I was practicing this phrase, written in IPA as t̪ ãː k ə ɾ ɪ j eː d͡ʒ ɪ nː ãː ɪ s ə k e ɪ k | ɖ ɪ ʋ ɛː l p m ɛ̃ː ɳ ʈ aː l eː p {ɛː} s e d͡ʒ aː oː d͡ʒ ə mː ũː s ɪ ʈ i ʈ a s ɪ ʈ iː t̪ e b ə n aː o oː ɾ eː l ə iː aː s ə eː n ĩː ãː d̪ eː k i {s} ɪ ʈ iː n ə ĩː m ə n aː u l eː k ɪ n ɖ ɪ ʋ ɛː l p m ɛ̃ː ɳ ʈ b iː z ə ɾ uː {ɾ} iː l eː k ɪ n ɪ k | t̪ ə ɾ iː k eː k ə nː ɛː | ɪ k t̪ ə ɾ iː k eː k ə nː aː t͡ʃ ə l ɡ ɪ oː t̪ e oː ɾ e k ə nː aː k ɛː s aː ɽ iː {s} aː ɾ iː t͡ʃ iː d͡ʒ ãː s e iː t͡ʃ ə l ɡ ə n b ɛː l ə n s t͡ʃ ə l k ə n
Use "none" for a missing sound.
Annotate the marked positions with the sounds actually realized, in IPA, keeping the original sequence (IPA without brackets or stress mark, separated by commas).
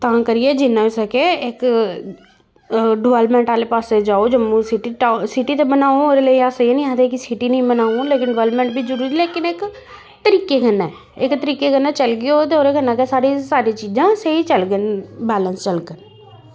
aː, s, ɾ, s